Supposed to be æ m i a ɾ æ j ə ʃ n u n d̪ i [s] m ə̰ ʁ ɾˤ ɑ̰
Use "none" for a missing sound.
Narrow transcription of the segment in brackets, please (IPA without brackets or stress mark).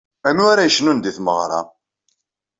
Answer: θ